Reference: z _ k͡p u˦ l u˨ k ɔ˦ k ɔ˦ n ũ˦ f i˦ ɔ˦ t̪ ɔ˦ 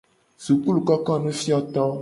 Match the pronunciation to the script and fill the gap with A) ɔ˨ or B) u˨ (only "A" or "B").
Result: B